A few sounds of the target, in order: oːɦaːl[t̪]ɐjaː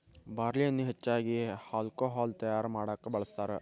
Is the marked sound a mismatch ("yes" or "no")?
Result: no